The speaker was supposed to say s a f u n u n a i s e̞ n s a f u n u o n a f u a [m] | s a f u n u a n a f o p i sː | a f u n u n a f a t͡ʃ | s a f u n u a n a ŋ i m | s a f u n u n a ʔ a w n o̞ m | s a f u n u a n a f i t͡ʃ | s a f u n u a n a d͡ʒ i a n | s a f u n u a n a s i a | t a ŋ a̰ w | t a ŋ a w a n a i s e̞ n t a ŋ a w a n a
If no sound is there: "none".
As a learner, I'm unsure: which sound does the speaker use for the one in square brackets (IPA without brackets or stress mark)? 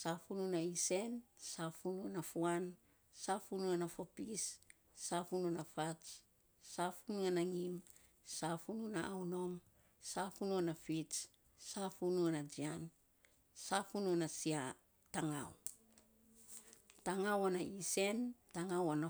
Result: n